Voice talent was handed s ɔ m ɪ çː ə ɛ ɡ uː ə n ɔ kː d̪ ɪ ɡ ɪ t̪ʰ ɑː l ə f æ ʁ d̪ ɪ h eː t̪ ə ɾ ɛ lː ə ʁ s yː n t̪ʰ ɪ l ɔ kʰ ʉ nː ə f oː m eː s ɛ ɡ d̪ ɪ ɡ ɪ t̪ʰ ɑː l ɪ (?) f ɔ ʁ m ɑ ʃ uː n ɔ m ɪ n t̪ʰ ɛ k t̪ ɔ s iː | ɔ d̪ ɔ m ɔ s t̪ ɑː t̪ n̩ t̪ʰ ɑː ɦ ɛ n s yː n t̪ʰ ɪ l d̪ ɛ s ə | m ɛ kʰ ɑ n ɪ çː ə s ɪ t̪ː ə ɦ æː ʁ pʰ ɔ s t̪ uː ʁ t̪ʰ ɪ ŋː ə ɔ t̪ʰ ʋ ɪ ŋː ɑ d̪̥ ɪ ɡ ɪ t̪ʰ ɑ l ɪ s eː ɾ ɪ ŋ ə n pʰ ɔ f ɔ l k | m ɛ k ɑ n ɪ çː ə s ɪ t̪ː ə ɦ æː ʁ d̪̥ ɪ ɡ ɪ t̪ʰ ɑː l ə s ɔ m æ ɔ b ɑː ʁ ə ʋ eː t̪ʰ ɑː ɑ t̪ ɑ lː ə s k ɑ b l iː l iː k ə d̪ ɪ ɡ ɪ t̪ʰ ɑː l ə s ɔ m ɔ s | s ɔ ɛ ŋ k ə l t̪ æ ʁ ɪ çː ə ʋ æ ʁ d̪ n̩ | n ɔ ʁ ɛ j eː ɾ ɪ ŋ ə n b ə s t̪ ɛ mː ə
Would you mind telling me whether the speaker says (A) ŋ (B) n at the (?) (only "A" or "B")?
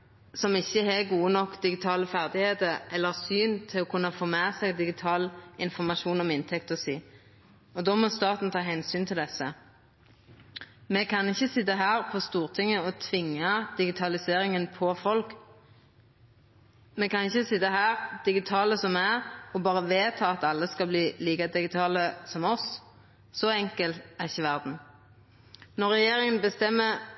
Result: B